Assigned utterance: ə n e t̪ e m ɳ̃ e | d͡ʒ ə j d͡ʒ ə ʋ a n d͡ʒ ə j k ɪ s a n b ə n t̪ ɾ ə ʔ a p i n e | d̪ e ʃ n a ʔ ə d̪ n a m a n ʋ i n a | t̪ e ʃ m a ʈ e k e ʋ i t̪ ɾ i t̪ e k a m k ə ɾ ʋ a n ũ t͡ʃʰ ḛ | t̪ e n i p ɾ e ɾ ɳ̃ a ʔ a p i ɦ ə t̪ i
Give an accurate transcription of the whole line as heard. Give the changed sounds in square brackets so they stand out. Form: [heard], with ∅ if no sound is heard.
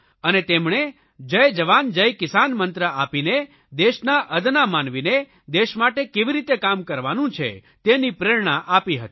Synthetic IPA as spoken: ə n e t̪ e m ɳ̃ e | d͡ʒ ə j d͡ʒ ə ʋ a n d͡ʒ ə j k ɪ s a n [m] ə n t̪ ɾ ə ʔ a p i n e | d̪ e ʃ n a ʔ ə d̪ n a m a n ʋ i n [e] | [d̪] e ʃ m a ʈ e k e ʋ i [∅] ɾ i t̪ e k a m k ə ɾ ʋ a n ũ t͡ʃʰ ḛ | t̪ e n i p ɾ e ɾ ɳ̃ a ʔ a p i ɦ ə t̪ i